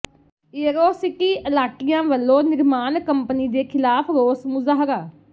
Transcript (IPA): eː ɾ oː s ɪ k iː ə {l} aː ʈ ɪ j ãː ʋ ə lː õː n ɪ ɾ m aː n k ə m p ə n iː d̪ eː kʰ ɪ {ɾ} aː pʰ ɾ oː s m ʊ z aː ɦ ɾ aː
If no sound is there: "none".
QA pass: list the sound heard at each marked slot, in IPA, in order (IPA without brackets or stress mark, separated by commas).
l, l